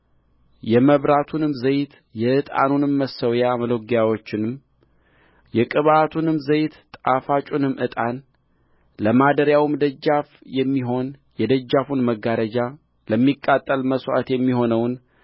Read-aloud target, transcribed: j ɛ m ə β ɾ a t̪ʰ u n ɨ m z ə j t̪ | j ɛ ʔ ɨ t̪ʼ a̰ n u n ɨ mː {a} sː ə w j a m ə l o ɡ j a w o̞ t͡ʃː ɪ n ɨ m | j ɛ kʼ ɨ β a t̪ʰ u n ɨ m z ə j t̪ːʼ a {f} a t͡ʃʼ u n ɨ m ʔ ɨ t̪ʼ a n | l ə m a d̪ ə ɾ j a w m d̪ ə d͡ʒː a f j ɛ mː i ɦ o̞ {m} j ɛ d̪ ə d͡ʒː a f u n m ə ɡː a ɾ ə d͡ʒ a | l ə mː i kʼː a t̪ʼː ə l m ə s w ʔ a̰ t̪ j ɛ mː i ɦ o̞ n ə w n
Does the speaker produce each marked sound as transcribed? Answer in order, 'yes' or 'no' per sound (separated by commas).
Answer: no, yes, no